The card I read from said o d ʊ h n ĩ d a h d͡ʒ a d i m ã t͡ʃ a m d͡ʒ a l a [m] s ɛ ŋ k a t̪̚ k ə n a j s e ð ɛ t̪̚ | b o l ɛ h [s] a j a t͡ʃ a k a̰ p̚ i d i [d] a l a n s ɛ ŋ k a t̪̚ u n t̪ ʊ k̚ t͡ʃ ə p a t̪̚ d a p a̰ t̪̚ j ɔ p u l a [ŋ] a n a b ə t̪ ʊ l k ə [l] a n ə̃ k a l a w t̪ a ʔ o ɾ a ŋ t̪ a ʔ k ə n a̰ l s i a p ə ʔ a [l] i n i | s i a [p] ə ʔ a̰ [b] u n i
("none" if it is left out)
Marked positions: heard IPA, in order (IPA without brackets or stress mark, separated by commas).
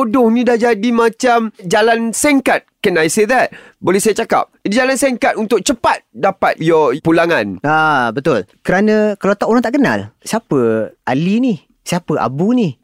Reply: n, s, d͡ʒ, ŋ, ɾ, l, p, b